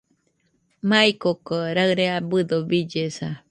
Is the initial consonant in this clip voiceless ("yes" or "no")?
no